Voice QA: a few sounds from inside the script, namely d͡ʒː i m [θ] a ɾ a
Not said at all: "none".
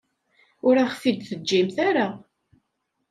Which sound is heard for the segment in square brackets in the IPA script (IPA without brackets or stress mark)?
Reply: θ